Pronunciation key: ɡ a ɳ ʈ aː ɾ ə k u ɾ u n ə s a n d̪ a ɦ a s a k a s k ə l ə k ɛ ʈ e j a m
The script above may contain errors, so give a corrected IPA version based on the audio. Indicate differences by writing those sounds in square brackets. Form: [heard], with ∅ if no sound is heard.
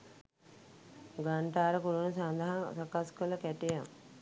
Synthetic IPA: ɡ a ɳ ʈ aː ɾ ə k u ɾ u n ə s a n d̪ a ɦ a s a k a s k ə l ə k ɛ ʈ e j a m